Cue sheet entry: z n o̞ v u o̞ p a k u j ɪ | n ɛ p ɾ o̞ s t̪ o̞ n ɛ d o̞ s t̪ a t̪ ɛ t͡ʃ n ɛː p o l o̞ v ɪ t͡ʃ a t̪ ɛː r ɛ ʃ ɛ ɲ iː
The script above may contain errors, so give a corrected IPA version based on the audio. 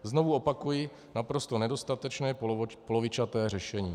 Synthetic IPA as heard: z n o̞ v u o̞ p a k u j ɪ | n a p ɾ o̞ s t̪ o̞ n ɛ d o̞ s t̪ a t̪ ɛ t͡ʃ n ɛː p o l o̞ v ɪ t͡ʃ a t̪ ɛː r ɛ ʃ ɛ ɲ iː

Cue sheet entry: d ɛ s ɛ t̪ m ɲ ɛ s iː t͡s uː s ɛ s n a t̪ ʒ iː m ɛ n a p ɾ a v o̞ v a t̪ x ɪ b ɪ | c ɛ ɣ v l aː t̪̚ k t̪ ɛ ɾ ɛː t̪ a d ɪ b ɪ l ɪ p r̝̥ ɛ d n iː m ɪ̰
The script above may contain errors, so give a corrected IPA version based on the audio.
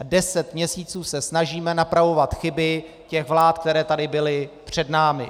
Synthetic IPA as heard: d ɛ s ɛ t̪ m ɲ ɛ s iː t͡s uː s ɛ s n a ʒ iː m ɛ n a p ɾ a v o̞ v a t̪ x ɪ b ɪ | c ɛ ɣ v l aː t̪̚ k t̪ ɛ ɾ ɛː t̪ a d ɪ b ɪ l ɪ p r̝̥ ɛ d n aː m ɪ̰

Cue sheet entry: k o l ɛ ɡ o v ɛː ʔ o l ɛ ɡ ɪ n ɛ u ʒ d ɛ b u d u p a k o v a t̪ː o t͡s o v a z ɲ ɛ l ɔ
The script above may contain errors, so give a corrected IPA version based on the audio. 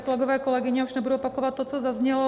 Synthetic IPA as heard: k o l ɛ ɡ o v ɛː k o l ɛ ɡ ɪ ɲ ɛ u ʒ n ɛ b u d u p a k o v a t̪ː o t͡s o z a z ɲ ɛ l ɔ

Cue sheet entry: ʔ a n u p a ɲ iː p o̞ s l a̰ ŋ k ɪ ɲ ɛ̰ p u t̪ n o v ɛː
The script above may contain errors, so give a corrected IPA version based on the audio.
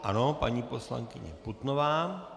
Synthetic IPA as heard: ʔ a n o p a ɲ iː p o̞ s l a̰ ŋ k ɪ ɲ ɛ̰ p u t̪ n o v aː

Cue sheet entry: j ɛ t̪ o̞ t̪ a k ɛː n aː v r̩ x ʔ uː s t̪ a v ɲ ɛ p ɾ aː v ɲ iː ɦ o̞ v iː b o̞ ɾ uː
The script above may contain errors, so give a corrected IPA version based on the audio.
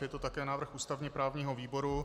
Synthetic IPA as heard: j ɛ t̪ o̞ t̪ a k ɛː n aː v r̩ x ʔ uː s t̪ a v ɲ ɛ p ɾ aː v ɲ iː ɦ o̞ v iː b o̞ ɾ u

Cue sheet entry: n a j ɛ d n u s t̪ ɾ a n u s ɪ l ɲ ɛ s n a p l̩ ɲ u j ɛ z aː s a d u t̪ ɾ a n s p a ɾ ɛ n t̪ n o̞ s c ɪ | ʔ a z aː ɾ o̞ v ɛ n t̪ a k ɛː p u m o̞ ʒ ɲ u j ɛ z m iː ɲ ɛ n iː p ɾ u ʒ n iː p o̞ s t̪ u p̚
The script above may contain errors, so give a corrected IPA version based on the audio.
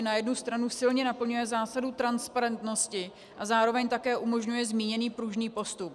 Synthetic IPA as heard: n a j ɛ d n u s t̪ ɾ a n u s ɪ l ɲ ɛ n a p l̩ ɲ u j ɛ z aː s a d u t̪ ɾ a n s p a ɾ ɛ n t̪ n o̞ s c ɪ | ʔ a z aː ɾ o̞ v ɛ ɲ t̪ a k ɛː ʔ u m o̞ ʒ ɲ u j ɛ z m iː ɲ ɛ n iː p ɾ u ʒ n iː p o̞ s t̪ u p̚

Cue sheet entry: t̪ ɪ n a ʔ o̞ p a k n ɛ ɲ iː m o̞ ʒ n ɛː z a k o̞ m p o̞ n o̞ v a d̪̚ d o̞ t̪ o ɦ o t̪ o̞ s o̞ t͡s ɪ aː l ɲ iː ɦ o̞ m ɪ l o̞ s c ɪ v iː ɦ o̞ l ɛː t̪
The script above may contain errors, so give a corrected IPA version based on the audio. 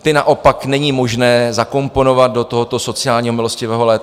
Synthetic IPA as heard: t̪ ɪ n a ʔ o̞ p a k n ɛ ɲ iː m o̞ ʒ n ɛː z a k o̞ m p o̞ n o̞ v a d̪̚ d o̞ t̪ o ɦ o t̪ o̞ s o̞ t͡s ɪ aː l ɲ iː ɦ o̞ m ɪ l o̞ s c ɪ v ɛː ɦ o̞ l ɛː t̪

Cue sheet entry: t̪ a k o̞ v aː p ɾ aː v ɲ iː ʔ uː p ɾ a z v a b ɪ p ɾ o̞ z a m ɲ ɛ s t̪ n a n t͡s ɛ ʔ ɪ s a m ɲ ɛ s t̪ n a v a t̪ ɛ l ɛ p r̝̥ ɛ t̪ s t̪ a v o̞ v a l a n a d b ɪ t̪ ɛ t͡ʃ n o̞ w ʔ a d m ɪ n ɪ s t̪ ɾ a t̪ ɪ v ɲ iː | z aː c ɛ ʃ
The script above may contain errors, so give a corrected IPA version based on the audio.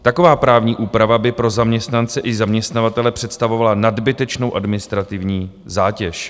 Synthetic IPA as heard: t̪ a k o̞ v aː p ɾ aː v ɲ iː ʔ uː p ɾ a v a b ɪ p ɾ o̞ z a m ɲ ɛ s t̪ n a n t͡s ɛ ʔ ɪ z a m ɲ ɛ s t̪ n a v a t̪ ɛ l ɛ p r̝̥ ɛ t̪ s t̪ a v o̞ v a l a n a d b ɪ t̪ ɛ t͡ʃ n o̞ w ʔ a d m ɪ n ɪ s t̪ ɾ a t̪ ɪ v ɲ iː | z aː c ɛ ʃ

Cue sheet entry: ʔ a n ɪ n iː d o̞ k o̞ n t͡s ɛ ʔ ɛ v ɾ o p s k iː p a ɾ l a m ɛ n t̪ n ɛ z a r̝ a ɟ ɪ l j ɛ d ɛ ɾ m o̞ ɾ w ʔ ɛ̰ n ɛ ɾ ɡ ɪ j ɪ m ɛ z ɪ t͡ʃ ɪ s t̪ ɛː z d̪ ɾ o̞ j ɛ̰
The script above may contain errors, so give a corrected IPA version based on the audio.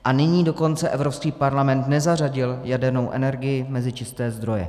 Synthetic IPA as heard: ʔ a n ɪ ɲ iː d o̞ k o̞ n t͡s ɛ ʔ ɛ v ɾ o p s k iː p a ɾ l a m ɛ n t̪ n ɛ z a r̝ a ɟ ɪ l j a d ɛ ɾ n o̞ w ʔ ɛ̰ n ɛ ɾ ɡ ɪ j ɪ m ɛ z ɪ t͡ʃ ɪ s t̪ ɛː z d̪ ɾ o̞ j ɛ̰

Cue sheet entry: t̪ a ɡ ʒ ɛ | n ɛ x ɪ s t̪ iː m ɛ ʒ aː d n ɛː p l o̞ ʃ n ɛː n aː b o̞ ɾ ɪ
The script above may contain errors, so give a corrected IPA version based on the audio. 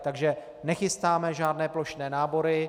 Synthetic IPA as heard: t̪ a ɡ ʒ ɛ | n ɛ x ɪ s t̪ aː m ɛ ʒ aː d n ɛː p l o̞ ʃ n ɛː n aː b o̞ ɾ ɪ

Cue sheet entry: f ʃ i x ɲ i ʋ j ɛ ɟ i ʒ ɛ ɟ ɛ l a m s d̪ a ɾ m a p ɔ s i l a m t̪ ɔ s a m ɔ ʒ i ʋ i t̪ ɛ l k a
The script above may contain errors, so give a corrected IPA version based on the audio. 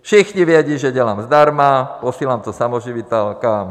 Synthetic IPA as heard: f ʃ i x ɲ i ʋ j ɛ ɟ i ʒ ɛ ɟ ɛ l a m z d̪ a ɾ m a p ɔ s i l a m t̪ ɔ s a m ɔ ʒ i ʋ i t̪ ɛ l k a

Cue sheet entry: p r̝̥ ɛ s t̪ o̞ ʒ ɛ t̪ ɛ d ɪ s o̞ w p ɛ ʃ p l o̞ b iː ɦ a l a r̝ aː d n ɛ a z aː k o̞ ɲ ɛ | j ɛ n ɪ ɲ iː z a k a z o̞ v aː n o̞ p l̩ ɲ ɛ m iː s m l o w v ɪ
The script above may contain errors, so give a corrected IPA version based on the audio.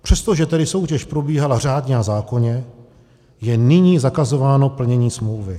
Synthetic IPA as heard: p r̝̥ ɛ s t̪ o̞ ʒ ɛ t̪ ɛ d ɪ s o̞ w c ɛ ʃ p ɾ o̞ b iː ɦ a l a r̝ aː d ɲ ɛ a z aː k o̞ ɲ ɛ | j ɛ n ɪ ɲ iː z a k a z o̞ v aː n o̞ p l̩ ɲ ɛ ɲ iː s m l o w v ɪ

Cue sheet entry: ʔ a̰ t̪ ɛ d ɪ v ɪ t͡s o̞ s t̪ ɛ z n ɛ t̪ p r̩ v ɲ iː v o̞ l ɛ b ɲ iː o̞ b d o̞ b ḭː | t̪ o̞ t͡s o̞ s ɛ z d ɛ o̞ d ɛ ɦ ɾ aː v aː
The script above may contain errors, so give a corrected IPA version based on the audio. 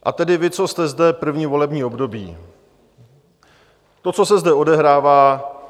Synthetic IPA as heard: ʔ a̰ t̪ ɛ d ɪ v ɪ t͡s o̞ s t̪ ɛ z d ɛ p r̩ v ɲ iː v o̞ l ɛ b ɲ iː o̞ b d o̞ b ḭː | t̪ o̞ t͡s o̞ s ɛ z d ɛ o̞ d ɛ ɦ ɾ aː v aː

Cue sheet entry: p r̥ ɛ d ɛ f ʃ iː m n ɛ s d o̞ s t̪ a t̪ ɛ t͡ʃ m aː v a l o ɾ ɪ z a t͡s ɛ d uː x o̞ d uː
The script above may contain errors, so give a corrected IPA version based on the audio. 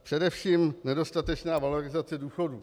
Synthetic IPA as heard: p r̥ ɛ d ɛ f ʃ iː m n ɛ d o̞ s t̪ a t̪ ɛ t͡ʃ n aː v a l o ɾ ɪ z a t͡s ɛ d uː x o̞ d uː

